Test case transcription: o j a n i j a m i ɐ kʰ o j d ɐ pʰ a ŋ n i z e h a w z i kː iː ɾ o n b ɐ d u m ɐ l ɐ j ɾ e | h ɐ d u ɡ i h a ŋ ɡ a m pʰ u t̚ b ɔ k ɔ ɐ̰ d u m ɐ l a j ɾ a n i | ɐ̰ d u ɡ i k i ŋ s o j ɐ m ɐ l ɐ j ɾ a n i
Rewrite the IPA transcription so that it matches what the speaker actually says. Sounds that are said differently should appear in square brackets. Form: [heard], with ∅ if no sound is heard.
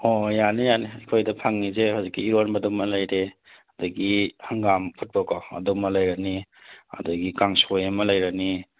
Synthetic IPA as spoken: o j a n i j a [n] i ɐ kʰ o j d ɐ pʰ a ŋ n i z e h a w z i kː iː ɾ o n b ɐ d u m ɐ l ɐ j ɾ e | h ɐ d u ɡ i h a ŋ ɡ a m pʰ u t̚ b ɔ k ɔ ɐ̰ d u m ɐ l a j ɾ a n i | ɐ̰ d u ɡ i k [a] ŋ s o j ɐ m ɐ l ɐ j ɾ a n i